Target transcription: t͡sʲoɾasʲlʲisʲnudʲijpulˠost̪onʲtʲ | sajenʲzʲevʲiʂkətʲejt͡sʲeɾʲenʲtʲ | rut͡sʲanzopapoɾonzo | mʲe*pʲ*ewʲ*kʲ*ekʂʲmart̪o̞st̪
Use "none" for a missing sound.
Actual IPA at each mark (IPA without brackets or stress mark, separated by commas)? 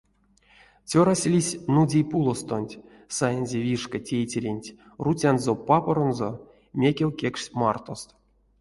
kʲ, kʲ